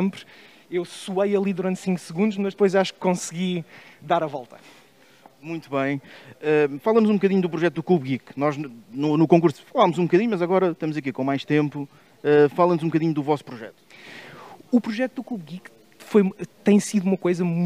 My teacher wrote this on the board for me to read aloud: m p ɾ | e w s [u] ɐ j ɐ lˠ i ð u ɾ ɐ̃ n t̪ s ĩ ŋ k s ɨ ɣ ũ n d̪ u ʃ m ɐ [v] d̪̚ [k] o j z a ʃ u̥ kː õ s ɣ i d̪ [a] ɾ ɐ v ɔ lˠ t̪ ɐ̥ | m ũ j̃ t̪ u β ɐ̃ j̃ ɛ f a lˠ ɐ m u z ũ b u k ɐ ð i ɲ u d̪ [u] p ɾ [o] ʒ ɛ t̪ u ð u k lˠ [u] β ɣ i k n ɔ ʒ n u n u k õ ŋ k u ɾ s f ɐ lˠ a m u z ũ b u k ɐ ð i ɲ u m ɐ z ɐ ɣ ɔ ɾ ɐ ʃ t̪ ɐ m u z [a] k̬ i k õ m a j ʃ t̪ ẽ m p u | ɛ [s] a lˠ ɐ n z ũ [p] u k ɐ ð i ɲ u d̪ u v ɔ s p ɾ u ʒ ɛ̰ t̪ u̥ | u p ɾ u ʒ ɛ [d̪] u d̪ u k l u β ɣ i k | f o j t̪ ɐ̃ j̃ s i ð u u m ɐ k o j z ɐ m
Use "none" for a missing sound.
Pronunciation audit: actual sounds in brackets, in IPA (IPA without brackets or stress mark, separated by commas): u, ʒ, p, a, u, u, u, ɐ, f, b, t̪